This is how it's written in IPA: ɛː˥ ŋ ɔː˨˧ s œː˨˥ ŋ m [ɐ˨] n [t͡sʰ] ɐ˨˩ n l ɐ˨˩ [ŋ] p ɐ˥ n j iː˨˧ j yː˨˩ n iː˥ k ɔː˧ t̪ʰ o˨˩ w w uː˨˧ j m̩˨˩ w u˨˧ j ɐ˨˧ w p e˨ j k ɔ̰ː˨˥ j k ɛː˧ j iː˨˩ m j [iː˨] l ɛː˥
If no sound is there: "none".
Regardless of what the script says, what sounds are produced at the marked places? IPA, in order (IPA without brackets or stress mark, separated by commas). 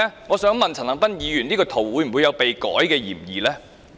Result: ɐ˨, t͡sʰ, ŋ, iː˨